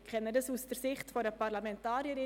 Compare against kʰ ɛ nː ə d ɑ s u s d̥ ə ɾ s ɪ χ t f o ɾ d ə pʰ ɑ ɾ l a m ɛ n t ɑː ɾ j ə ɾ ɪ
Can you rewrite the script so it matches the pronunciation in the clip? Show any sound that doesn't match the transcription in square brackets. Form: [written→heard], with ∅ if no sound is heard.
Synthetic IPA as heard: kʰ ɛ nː ə d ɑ s u s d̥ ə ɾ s ɪ χ t f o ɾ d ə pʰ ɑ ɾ l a m ɛ n t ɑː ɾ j ə ɾ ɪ

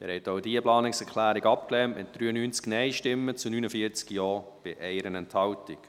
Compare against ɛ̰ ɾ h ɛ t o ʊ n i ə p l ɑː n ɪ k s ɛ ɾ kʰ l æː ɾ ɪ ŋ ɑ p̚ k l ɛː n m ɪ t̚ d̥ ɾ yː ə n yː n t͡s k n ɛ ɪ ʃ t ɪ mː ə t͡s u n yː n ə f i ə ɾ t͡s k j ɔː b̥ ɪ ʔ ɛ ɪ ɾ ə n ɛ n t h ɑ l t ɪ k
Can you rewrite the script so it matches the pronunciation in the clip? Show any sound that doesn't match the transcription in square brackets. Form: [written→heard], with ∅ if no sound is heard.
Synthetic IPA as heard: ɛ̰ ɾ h ɛ t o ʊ [n→d] i ə p l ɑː n ɪ k s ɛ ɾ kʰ l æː ɾ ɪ [ŋ→ɡ] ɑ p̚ k l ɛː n m ɪ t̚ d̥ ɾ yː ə n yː n t͡s k n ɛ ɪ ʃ t ɪ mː ə t͡s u n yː n ə f i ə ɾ t͡s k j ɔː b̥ ɪ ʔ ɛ ɪ ɾ ə n ɛ n t h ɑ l t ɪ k

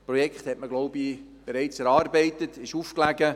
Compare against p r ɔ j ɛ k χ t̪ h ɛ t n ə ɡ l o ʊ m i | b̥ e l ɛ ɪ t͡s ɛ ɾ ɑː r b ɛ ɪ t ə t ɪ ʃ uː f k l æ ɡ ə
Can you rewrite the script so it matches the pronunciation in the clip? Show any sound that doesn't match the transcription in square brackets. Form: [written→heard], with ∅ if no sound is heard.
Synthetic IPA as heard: p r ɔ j ɛ k χ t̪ h ɛ t [n→m] ə ɡ l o ʊ [m→b] i | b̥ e [l→ɾ] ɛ ɪ t͡s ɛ ɾ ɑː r b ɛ ɪ t ə t ɪ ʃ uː f k l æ ɡ ə

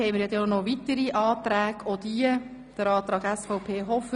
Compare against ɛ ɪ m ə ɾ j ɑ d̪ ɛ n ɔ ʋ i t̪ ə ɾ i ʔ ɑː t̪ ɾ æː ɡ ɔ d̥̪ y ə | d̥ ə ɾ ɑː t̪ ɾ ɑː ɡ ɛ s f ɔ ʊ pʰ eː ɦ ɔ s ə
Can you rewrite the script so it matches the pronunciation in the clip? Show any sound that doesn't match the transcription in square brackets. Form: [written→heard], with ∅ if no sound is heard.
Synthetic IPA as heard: ɛ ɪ m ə ɾ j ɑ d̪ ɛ n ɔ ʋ i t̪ ə ɾ i ʔ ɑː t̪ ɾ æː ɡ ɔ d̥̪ [y→i] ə | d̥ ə ɾ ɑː t̪ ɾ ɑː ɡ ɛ s f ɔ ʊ pʰ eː ɦ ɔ [s→f] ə

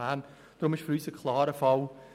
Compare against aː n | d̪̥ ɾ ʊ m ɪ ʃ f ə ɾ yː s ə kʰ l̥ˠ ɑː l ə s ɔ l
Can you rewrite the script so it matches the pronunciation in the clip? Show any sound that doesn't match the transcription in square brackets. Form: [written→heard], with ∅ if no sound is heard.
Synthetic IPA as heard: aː n | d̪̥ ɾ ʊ m ɪ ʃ f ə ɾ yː s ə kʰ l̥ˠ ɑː [l→ɾ] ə [s→f] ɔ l

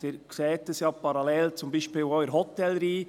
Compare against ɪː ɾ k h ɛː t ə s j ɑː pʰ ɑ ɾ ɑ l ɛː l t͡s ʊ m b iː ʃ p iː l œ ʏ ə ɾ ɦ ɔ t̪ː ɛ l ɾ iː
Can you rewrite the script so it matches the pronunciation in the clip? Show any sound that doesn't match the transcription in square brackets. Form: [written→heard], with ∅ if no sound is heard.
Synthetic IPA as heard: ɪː ɾ k [h→s] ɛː t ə s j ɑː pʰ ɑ ɾ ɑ l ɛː l t͡s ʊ m b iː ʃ p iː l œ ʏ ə ɾ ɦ ɔ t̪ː ɛ l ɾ iː

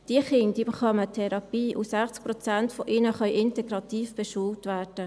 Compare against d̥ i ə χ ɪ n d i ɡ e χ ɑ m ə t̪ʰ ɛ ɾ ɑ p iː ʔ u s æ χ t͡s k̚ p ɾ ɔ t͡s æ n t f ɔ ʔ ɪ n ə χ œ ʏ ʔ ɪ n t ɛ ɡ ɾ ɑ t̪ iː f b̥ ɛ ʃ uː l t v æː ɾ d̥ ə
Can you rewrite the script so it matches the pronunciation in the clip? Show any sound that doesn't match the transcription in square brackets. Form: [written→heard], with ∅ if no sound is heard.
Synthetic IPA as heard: d̥ i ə χ ɪ n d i [ɡ→b] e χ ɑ m ə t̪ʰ ɛ ɾ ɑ p iː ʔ u s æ χ t͡s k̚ p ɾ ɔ t͡s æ n t f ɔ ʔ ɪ n ə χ œ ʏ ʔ ɪ n t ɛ ɡ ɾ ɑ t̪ iː f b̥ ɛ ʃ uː l t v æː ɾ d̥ ə

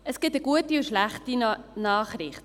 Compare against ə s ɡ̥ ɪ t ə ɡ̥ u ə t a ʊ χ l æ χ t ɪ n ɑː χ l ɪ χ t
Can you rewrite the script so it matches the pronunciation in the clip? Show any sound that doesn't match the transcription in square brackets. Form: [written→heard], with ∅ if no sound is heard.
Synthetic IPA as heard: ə s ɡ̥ ɪ t ə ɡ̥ u ə t [a→i] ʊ [χ→ʃ] l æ χ t [ɪ→i] n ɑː χ [l→ɾ] ɪ χ t

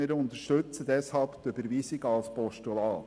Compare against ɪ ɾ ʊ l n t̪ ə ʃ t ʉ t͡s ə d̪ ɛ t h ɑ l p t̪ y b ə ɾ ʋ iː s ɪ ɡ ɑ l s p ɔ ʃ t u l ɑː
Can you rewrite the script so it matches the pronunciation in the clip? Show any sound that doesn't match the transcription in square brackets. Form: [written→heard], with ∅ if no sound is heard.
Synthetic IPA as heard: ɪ ɾ ʊ [l→∅] n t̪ ə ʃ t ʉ t͡s ə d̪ ɛ [t→s] h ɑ l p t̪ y b ə ɾ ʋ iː s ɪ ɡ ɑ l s p ɔ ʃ t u l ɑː

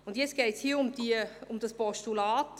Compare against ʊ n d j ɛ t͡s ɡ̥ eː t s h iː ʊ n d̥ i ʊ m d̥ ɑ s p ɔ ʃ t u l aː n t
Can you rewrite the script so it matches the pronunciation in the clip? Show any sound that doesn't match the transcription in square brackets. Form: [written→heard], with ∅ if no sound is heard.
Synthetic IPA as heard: ʊ n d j ɛ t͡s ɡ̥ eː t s h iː ʊ [n→m] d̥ i ʊ m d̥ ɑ s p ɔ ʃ t u l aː [n→∅] t

